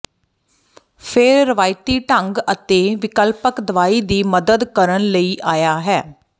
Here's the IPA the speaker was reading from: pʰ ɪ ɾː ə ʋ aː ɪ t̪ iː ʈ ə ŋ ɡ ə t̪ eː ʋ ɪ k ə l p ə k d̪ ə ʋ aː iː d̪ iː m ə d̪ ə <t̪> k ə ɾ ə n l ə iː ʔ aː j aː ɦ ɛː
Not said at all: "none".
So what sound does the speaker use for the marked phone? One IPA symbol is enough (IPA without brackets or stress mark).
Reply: d̪